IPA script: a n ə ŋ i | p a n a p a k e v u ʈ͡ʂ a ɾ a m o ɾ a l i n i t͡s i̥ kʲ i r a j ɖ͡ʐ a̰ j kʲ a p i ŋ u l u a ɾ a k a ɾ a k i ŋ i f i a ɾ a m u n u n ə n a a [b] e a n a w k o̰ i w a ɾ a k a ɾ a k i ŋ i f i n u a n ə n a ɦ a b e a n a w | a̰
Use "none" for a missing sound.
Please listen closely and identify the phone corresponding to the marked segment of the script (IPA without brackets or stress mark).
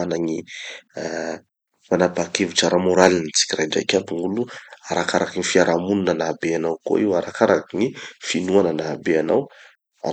b